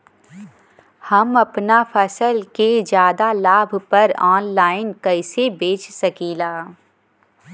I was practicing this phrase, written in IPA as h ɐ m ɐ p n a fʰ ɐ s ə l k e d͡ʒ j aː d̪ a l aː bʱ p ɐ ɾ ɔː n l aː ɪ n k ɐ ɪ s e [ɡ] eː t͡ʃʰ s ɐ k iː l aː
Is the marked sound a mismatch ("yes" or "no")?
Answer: yes